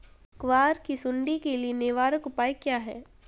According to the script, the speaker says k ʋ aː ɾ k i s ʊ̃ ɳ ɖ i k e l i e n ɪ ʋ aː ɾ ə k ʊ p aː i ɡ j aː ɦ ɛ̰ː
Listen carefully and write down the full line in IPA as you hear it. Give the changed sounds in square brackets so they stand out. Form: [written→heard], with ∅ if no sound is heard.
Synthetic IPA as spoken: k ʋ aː ɾ k i s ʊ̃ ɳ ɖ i k e l i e n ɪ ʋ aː ɾ ə k ʊ p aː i [ɡ→k] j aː ɦ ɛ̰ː